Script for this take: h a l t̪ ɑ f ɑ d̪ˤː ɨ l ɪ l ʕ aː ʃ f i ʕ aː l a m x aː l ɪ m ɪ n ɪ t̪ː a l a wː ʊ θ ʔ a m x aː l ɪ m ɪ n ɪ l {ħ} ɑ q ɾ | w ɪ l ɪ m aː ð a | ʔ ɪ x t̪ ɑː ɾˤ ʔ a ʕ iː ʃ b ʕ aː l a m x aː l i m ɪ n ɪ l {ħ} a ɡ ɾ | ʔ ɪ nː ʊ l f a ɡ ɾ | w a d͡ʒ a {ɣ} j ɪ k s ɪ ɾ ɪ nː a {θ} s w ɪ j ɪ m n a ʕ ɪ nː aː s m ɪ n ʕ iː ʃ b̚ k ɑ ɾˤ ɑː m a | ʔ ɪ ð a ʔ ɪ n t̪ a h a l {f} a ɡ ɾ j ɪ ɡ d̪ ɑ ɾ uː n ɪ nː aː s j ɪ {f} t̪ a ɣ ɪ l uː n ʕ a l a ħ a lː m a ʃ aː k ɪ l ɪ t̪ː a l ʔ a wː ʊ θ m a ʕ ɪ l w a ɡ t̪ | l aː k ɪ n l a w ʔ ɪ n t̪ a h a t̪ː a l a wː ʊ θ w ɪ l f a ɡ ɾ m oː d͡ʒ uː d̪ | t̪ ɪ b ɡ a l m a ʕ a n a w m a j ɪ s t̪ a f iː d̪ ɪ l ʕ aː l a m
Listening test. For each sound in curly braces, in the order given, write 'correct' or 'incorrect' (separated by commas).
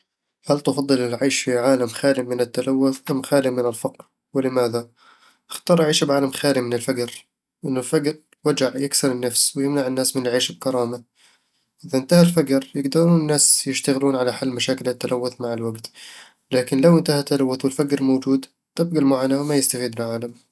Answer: incorrect, incorrect, incorrect, incorrect, correct, incorrect